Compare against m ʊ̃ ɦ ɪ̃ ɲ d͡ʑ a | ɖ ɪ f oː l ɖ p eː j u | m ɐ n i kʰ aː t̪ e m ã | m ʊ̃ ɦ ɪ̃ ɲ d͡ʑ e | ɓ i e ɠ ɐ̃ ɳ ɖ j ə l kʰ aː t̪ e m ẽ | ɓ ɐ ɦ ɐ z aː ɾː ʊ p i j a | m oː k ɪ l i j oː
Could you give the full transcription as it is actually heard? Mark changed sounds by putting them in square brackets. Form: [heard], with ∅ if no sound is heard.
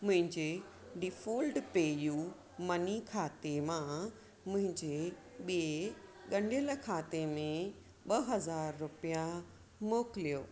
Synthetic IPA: m ʊ̃ ɦ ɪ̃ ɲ d͡ʑ [e] | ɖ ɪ f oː l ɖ p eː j u | m ɐ n i kʰ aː t̪ e m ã | m ʊ̃ ɦ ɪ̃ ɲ d͡ʑ e | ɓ i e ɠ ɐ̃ ɳ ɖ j ə l kʰ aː t̪ e m ẽ | ɓ ɐ ɦ ɐ z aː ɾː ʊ p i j a | m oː k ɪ l i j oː

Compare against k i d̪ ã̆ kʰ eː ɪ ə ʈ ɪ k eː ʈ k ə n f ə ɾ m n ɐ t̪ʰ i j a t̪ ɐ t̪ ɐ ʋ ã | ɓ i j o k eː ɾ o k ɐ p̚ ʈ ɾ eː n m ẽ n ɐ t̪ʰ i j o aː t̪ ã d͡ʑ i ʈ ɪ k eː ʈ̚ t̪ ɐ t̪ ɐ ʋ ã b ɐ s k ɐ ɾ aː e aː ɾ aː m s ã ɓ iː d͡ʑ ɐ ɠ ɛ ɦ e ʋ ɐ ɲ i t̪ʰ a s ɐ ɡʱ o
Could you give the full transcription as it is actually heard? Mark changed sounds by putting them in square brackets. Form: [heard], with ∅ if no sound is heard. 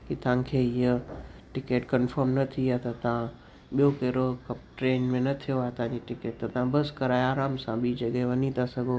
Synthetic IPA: k i [t̪] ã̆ kʰ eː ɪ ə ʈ ɪ k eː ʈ k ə n f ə ɾ m n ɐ t̪ʰ i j a t̪ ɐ t̪ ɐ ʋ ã | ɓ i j o k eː ɾ o k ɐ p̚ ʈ ɾ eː n m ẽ n ɐ t̪ʰ i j o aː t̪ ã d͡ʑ i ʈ ɪ k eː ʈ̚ t̪ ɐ t̪ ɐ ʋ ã b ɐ s k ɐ ɾ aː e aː ɾ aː m s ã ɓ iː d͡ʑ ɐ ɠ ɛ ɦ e ʋ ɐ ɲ i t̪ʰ a s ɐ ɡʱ o

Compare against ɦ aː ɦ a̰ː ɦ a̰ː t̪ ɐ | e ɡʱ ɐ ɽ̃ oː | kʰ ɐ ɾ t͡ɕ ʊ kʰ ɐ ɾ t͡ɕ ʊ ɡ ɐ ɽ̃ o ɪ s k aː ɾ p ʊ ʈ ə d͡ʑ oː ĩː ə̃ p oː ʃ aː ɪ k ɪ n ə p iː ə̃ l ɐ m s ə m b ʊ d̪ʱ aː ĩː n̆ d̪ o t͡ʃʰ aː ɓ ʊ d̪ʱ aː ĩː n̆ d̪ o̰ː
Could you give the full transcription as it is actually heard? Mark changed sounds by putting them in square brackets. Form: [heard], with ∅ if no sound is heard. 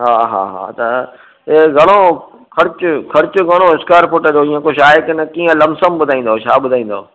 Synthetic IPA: ɦ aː ɦ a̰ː ɦ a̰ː t̪ ɐ | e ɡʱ ɐ ɽ̃ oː | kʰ ɐ ɾ t͡ɕ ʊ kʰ ɐ ɾ t͡ɕ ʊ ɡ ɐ ɽ̃ o ɪ s k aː ɾ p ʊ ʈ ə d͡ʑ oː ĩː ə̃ [k] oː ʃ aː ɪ k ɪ n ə [k] iː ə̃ l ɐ m s ə m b ʊ d̪ʱ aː ĩː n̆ d̪ o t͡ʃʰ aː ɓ ʊ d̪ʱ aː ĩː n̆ d̪ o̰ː

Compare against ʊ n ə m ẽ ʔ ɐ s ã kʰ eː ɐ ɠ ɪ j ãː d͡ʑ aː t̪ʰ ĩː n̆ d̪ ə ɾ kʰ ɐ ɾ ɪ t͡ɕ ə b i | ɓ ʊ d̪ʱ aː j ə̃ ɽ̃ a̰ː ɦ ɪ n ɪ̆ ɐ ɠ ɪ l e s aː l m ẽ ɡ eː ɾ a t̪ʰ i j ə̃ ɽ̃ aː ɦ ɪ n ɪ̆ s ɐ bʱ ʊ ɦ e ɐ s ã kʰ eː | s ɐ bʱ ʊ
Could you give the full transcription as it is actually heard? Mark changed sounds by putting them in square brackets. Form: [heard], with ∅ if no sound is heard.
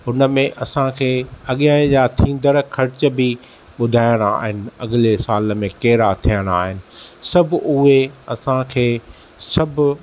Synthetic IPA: ʊ n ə m ẽ ʔ ɐ s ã kʰ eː ɐ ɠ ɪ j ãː d͡ʑ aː t̪ʰ ĩː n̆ d̪ ə ɾ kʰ ɐ ɾ ɪ t͡ɕ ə b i | ɓ ʊ d̪ʱ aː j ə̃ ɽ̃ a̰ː ɦ ɪ n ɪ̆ ɐ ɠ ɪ l e s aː l m ẽ [k] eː ɾ a t̪ʰ i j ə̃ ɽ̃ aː ɦ ɪ n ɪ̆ s ɐ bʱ ʊ ɦ e ɐ s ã kʰ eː | s ɐ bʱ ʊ

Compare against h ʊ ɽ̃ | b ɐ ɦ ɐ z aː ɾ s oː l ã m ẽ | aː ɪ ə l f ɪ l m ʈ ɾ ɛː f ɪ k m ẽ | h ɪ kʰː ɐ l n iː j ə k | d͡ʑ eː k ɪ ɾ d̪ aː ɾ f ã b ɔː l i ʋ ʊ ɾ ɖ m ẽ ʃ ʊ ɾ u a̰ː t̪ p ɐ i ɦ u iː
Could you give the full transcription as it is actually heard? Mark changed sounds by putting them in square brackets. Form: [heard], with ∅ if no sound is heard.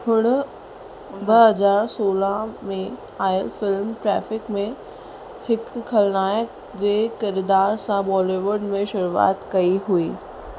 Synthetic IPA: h ʊ ɽ̃ | b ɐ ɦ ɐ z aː ɾ s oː l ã m ẽ | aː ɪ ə l f ɪ l m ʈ ɾ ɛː f ɪ k m ẽ | h ɪ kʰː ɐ l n [aː] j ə k | d͡ʑ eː k ɪ ɾ d̪ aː ɾ [s] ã b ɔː l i ʋ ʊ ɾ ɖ m ẽ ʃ ʊ ɾ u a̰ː t̪ [k] ɐ i ɦ u iː

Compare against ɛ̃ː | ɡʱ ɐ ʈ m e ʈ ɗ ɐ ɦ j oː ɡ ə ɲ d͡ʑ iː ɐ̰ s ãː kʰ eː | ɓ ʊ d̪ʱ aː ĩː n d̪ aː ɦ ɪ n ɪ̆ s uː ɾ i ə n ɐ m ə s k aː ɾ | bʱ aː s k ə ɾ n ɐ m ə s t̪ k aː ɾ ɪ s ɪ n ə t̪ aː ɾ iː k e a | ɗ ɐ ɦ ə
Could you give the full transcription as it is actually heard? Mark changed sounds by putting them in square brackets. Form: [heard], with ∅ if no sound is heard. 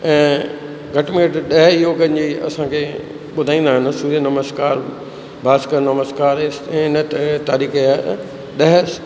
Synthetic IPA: ɛ̃ː | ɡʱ ɐ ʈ m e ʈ ɗ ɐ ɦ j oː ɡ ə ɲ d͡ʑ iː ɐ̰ s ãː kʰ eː | ɓ ʊ d̪ʱ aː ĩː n d̪ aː ɦ ɪ n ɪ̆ s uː ɾ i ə n ɐ m ə s k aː ɾ | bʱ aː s k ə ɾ n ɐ m ə s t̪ k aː ɾ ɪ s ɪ n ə t̪ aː ɾ iː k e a | ɗ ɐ ɦ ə

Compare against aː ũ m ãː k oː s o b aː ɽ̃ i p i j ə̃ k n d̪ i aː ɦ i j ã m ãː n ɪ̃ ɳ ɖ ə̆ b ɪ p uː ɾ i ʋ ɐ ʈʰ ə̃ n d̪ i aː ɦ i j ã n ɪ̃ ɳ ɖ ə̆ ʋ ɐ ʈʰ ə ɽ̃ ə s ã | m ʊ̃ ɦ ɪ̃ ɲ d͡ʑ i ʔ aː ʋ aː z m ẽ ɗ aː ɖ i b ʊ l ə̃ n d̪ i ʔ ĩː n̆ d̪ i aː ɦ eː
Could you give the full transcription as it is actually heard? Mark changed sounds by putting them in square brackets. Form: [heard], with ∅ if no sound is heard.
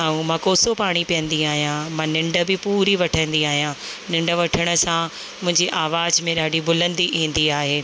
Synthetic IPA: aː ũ m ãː k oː s o [p] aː ɽ̃ i p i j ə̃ [∅] n d̪ i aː ɦ i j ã m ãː n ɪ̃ ɳ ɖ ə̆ b ɪ p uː ɾ i ʋ ɐ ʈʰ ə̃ n d̪ i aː ɦ i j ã n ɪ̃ ɳ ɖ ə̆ ʋ ɐ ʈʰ ə ɽ̃ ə s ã | m ʊ̃ ɦ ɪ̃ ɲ d͡ʑ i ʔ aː ʋ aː z m ẽ ɗ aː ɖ i b ʊ l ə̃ n d̪ i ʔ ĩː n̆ d̪ i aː ɦ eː

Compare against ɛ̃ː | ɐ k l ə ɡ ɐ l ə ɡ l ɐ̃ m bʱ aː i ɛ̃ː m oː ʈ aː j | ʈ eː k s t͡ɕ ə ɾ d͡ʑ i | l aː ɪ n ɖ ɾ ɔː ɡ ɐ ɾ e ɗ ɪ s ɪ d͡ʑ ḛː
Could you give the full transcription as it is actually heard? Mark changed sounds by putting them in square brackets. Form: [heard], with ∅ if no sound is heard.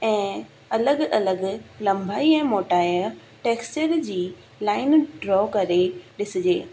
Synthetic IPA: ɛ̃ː | ɐ [∅] l ə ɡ ɐ l ə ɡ l ɐ̃ m bʱ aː i ɛ̃ː m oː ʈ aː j | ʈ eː k s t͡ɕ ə ɾ d͡ʑ [iː] | l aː ɪ n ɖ ɾ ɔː [k] ɐ ɾ e ɗ ɪ s ɪ d͡ʑ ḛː

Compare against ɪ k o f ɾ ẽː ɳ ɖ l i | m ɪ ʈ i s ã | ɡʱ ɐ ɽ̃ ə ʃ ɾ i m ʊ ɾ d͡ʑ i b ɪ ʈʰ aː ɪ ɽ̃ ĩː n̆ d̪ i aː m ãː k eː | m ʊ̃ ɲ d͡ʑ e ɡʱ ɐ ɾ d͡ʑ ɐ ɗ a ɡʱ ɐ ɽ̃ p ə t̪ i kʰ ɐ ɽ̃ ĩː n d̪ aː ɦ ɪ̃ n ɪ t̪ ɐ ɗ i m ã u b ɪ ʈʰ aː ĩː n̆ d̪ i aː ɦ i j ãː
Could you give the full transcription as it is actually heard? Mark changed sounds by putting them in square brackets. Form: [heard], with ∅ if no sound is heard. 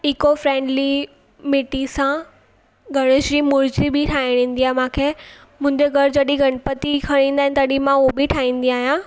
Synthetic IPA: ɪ k o f ɾ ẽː ɳ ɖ l i | m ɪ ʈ i s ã | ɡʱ ɐ ɽ̃ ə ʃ ɾ i m ʊ ɾ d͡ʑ i b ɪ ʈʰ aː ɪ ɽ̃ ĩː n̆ d̪ i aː m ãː [kʰ] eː | m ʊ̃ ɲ d͡ʑ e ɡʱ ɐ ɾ d͡ʑ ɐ ɗ [i] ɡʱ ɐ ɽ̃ p ə t̪ i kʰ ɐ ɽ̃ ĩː n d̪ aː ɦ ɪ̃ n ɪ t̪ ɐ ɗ i m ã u b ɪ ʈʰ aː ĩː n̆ d̪ i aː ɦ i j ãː

